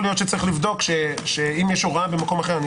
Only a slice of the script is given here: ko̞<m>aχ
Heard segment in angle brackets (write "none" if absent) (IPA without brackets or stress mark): m